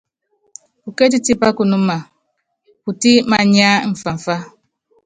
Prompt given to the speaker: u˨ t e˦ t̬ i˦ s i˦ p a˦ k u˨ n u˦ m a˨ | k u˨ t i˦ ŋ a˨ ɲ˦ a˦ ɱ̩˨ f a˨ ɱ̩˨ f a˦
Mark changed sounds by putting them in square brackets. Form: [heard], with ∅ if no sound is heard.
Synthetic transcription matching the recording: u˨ [k] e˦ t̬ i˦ [t] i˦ p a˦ k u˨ n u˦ m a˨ | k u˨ t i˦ [m] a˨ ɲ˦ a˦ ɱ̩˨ f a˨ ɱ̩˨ f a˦

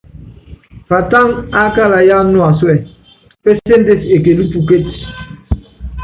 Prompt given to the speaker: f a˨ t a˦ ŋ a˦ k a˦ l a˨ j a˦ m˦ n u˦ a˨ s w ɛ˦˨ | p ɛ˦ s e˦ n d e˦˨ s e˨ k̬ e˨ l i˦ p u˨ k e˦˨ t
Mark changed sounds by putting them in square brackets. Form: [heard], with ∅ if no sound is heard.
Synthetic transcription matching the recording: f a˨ t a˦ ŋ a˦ k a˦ l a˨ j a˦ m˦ n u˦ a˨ s w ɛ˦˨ | p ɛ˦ s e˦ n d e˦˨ s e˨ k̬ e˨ l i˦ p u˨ k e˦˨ t

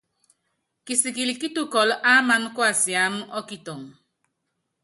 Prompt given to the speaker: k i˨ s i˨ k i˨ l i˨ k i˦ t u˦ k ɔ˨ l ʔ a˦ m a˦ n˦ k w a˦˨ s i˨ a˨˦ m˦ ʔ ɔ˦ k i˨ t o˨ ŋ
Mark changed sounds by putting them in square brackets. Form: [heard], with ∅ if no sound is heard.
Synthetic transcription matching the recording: k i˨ s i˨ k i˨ l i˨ k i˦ t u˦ k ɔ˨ l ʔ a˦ m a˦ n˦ k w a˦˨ s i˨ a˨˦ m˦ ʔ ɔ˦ k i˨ t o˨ ŋ

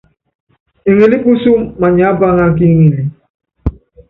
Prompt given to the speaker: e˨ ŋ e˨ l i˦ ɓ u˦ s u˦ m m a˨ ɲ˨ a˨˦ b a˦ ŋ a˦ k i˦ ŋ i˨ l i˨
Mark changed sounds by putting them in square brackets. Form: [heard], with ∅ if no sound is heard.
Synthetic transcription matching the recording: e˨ ŋ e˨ l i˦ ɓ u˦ s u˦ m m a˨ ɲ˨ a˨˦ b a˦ ŋ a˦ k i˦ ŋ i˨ l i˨

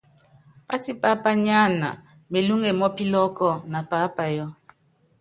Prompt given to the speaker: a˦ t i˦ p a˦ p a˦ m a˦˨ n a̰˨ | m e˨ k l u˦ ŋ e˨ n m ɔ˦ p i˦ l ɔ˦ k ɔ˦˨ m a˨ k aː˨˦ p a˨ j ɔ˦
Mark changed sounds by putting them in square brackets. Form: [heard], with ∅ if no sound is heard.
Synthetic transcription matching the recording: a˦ t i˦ p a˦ p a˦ [ɲ] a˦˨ n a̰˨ | m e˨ [∅] l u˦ ŋ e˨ [∅] m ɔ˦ p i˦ l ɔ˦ k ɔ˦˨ [n] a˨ [p] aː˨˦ p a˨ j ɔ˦

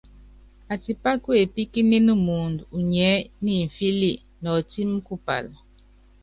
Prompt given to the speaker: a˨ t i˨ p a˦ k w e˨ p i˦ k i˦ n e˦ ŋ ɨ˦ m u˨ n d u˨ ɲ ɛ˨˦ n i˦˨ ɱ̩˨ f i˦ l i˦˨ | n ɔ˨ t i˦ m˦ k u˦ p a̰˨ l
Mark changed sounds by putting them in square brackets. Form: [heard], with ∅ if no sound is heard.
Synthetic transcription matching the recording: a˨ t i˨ p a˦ k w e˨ p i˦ k i˦ n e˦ [n] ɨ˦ m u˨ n d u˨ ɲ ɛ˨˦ n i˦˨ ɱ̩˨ f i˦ l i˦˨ | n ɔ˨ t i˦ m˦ k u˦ p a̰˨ l

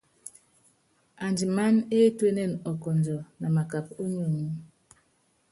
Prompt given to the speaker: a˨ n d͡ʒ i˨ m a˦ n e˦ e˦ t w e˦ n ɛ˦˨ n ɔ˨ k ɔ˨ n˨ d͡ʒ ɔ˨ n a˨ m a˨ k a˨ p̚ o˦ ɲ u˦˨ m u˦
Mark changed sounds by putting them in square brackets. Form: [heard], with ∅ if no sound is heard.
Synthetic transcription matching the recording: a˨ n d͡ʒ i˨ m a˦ n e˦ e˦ t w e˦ n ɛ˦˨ n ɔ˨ k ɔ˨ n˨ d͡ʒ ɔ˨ n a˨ m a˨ k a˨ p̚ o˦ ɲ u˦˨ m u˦

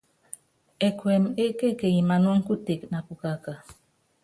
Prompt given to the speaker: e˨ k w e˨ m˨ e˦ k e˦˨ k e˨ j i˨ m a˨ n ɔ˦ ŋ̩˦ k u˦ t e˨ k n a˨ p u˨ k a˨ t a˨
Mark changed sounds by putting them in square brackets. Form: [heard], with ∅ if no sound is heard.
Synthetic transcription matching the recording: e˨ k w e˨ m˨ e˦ k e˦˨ k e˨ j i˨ m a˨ n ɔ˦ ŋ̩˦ k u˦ t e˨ k n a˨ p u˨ k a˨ [k] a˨

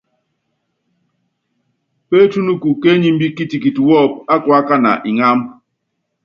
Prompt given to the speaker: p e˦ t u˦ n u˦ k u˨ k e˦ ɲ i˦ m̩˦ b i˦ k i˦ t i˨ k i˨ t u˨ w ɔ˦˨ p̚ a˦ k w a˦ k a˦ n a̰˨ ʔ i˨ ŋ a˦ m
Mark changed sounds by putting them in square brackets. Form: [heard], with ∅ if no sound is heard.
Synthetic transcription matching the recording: p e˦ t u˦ n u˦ k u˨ k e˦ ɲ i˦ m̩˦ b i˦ k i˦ t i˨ k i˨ t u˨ w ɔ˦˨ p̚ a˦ k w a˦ k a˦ n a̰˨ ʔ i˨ ŋ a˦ m

